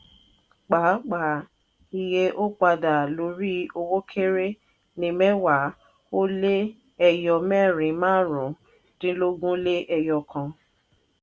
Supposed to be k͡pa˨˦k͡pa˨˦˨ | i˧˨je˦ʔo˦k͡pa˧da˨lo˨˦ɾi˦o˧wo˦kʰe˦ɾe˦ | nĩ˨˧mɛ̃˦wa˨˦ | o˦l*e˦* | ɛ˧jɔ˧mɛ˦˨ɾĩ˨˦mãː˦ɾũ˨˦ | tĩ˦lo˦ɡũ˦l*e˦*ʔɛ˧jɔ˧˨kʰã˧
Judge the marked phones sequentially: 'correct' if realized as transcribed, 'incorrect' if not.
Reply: correct, correct

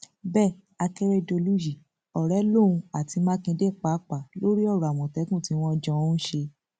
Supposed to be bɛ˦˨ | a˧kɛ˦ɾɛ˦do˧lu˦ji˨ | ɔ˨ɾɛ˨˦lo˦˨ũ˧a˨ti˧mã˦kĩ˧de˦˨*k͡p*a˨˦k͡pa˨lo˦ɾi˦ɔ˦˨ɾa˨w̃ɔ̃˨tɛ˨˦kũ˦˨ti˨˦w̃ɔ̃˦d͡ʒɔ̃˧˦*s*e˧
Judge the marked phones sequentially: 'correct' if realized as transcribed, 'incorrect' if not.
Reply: correct, incorrect: ʃ

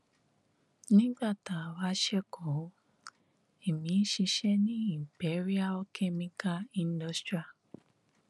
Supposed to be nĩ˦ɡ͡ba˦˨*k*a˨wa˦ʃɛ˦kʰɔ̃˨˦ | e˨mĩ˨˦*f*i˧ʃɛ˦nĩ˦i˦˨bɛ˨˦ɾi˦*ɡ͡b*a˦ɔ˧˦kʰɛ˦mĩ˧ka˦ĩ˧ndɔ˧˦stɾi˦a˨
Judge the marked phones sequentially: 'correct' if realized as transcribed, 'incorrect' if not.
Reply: incorrect: t, incorrect: ʃ, incorrect: none

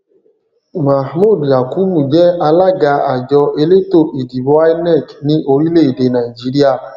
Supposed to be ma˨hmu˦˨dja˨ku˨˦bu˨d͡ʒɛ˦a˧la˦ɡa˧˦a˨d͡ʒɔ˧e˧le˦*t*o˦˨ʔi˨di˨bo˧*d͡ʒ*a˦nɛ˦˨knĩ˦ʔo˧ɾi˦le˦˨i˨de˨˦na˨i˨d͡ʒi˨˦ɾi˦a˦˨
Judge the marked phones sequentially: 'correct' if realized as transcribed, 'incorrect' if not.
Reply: correct, incorrect: none

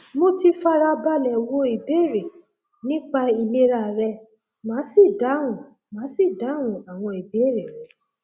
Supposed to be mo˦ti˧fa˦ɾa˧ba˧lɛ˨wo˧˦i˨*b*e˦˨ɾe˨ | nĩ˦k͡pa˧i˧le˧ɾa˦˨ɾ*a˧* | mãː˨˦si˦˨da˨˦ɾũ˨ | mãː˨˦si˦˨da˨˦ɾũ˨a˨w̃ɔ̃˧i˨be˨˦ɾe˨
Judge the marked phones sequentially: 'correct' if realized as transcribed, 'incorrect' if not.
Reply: correct, incorrect: ɛ˧

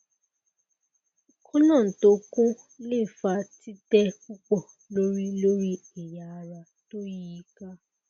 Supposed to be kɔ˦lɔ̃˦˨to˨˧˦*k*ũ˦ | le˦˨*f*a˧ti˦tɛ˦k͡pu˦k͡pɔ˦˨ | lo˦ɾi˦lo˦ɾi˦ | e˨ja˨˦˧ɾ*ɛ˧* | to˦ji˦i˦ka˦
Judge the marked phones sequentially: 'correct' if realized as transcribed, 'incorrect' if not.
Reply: correct, correct, incorrect: a˧

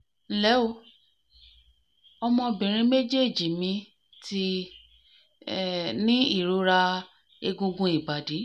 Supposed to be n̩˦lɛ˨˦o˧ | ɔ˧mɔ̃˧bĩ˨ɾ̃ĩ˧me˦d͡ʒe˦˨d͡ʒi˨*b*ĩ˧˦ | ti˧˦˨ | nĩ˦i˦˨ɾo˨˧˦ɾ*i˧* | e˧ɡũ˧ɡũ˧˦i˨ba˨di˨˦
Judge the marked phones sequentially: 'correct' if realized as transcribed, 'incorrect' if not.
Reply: incorrect: m, incorrect: a˧

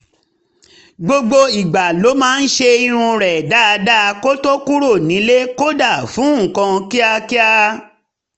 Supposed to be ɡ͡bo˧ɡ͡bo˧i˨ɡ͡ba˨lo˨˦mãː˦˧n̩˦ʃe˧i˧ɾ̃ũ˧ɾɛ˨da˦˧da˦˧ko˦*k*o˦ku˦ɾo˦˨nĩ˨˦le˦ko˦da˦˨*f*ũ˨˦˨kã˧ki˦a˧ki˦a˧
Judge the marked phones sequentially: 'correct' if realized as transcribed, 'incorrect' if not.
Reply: incorrect: t, correct

